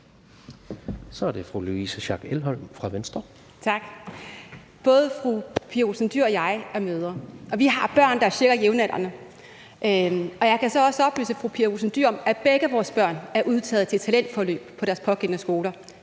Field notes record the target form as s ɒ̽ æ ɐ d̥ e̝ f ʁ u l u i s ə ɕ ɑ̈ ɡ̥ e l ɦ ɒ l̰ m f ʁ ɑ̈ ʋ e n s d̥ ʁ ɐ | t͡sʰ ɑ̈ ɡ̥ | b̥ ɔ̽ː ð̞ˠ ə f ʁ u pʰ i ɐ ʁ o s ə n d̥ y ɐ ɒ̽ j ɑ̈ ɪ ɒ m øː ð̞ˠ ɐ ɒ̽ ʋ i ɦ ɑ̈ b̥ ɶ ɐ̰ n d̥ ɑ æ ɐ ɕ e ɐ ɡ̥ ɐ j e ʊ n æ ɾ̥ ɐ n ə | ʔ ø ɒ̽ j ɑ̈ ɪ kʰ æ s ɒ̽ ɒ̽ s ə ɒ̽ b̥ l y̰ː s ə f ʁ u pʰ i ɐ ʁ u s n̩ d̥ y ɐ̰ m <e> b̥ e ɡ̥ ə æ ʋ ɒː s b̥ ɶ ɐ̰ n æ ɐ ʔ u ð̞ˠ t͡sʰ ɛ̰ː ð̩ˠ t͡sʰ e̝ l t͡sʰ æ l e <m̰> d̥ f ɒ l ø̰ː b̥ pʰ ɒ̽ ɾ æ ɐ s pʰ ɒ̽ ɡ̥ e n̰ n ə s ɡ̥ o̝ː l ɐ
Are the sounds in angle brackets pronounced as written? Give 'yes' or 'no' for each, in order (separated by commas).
no, no